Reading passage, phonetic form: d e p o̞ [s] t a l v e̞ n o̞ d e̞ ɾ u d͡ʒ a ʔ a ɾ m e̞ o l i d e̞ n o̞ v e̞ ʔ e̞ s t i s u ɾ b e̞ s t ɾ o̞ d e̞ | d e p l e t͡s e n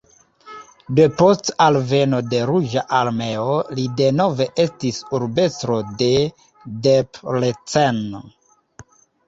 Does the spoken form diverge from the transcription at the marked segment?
no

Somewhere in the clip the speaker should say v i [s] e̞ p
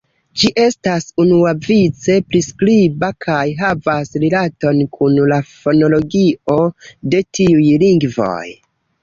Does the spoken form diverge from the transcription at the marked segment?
yes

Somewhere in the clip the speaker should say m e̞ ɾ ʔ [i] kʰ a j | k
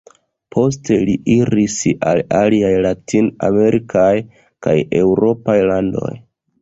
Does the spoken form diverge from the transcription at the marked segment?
no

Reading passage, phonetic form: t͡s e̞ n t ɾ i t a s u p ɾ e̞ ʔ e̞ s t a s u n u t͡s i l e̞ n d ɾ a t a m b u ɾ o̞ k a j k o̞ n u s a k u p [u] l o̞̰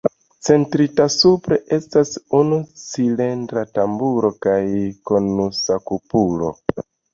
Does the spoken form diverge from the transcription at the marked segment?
no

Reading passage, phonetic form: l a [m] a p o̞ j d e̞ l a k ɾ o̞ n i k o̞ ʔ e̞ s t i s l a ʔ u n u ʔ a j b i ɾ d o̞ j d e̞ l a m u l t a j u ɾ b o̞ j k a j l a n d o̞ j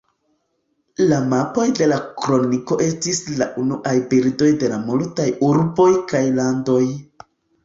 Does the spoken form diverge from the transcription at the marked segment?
no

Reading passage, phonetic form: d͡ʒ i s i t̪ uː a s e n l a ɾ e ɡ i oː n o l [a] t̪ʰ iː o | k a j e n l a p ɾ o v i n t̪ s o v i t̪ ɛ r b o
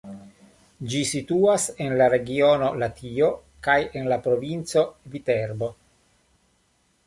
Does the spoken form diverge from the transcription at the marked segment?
no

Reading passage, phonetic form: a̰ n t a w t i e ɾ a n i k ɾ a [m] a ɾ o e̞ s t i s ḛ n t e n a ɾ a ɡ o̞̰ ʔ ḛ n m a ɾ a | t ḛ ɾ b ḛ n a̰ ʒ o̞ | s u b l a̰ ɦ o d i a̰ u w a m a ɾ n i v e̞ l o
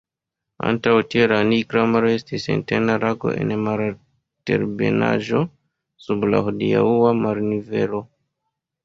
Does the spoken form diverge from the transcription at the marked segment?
no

